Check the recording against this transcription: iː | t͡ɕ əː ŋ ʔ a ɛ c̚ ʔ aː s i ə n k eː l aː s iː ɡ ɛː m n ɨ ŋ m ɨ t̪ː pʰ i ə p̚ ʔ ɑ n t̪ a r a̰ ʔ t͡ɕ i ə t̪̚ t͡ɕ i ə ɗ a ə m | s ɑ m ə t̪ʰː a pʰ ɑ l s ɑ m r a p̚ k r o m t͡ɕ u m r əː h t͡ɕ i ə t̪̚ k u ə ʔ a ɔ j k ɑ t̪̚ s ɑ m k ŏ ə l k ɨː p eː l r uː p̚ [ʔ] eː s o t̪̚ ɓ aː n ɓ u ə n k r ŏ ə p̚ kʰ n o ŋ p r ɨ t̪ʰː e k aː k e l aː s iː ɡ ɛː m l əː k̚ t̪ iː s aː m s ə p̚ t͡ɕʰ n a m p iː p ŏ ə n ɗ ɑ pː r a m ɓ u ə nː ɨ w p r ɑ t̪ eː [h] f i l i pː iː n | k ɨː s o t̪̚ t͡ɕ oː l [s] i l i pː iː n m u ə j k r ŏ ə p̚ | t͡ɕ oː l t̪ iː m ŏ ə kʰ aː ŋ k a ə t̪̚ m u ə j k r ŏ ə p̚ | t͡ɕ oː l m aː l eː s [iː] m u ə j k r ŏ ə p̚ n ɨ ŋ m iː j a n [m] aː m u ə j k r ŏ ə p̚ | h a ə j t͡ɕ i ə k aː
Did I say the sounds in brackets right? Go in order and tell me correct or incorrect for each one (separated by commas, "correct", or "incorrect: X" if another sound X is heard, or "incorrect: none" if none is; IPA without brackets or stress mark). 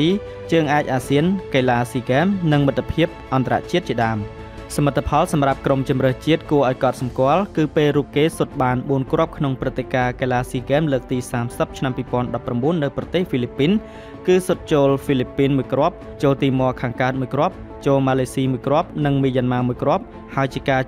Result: incorrect: k, correct, incorrect: f, correct, correct